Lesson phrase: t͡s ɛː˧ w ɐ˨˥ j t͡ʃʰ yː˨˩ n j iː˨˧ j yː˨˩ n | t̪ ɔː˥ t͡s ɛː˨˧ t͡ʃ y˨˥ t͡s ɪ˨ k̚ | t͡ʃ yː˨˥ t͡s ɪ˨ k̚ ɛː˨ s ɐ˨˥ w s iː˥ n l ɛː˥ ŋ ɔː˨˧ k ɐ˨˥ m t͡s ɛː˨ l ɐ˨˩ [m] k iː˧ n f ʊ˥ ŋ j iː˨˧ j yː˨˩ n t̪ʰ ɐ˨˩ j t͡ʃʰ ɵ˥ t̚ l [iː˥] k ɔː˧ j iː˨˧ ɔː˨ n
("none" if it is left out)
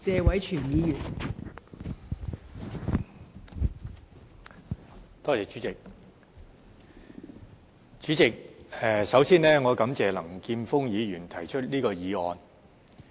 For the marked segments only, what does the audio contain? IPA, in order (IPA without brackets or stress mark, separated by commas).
ŋ, iː˥